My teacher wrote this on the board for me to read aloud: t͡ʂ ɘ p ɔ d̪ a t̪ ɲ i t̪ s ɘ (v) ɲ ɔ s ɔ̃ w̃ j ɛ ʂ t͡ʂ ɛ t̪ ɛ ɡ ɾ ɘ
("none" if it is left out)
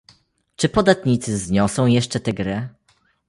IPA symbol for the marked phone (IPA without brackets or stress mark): z